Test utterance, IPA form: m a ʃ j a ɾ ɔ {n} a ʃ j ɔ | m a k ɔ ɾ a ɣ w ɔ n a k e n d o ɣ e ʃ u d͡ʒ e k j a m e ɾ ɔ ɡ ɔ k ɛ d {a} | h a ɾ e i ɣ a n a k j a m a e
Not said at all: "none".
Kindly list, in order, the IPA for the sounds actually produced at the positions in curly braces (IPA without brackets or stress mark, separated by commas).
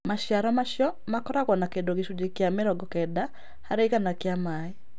m, a